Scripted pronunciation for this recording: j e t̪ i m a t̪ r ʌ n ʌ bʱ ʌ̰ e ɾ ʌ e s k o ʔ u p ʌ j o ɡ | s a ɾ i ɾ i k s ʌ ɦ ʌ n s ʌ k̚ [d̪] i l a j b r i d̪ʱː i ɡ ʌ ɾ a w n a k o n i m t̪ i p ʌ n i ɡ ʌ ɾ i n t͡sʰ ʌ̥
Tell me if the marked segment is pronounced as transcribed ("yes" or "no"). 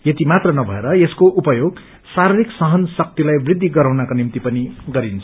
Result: no